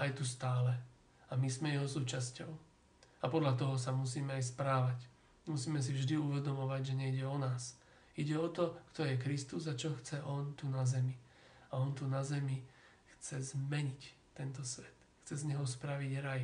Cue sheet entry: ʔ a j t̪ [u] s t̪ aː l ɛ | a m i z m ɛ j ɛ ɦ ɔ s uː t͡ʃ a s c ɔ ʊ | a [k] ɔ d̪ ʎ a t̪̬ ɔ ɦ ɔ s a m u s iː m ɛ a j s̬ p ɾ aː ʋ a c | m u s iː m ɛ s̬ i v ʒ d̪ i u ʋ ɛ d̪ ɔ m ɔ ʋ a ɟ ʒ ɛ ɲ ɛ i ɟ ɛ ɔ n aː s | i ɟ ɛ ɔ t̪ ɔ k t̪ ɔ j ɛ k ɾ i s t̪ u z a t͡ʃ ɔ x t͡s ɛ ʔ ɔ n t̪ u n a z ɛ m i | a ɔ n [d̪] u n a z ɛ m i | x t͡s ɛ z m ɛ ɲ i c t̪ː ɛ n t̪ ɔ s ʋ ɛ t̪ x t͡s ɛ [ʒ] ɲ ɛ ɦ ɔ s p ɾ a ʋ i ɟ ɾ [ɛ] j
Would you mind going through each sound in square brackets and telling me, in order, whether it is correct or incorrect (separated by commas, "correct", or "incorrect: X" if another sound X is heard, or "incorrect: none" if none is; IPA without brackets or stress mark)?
correct, incorrect: p, incorrect: t̪, incorrect: z, incorrect: a